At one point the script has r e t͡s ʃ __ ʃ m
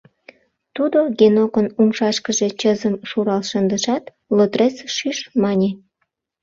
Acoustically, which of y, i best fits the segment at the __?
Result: y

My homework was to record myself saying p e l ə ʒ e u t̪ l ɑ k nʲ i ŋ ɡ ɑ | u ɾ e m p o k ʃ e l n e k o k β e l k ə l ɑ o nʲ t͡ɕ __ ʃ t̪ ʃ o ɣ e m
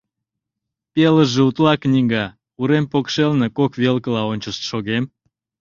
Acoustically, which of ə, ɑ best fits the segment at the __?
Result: ə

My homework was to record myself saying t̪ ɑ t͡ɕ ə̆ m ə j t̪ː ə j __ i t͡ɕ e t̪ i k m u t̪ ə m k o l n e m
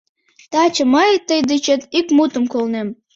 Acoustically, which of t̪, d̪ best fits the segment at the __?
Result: d̪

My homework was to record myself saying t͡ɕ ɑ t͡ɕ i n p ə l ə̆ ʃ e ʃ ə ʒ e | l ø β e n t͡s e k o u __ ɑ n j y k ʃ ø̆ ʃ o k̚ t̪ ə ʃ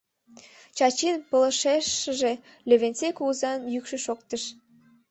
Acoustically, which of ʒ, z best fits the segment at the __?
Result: z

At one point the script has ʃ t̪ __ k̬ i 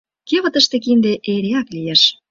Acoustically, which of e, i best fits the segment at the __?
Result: e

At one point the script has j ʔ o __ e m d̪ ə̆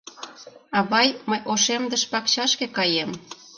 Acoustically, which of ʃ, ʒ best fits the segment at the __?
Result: ʃ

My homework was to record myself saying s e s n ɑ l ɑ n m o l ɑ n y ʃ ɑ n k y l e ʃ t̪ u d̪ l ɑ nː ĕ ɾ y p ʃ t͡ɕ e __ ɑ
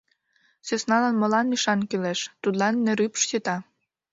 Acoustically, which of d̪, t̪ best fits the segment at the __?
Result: t̪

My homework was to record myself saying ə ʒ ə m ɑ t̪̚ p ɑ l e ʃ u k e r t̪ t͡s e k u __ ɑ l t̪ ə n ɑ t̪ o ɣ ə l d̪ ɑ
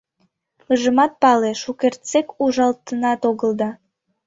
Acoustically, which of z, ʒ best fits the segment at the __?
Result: ʒ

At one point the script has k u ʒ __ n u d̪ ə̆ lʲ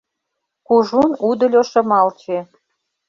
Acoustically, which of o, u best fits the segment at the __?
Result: u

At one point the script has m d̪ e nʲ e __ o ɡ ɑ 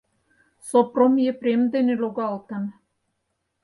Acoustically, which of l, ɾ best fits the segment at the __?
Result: l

